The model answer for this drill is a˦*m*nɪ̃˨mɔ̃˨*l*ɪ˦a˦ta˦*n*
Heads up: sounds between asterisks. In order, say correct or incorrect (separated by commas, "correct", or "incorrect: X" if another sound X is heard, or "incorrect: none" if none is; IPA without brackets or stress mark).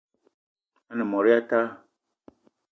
incorrect: none, incorrect: ɾ, incorrect: none